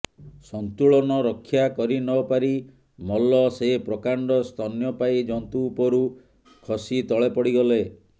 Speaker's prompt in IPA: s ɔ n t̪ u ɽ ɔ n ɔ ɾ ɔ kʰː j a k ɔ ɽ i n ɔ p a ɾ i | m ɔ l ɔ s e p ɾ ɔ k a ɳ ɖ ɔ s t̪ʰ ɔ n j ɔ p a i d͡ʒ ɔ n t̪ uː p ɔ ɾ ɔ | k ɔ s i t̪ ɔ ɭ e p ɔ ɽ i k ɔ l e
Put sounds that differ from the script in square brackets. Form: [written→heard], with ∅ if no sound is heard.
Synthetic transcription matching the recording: s ɔ n t̪ u [ɽ→ɭ] ɔ n ɔ ɾ ɔ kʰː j a k ɔ [ɽ→ɾ] i n ɔ p a ɾ i | m ɔ l ɔ s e p ɾ ɔ k a ɳ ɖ ɔ s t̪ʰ ɔ n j ɔ p a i d͡ʒ ɔ n t̪ uː p ɔ ɾ [ɔ→u] | [k→kʰ] ɔ s i t̪ ɔ ɭ e p ɔ ɽ i [k→ɡ] ɔ l e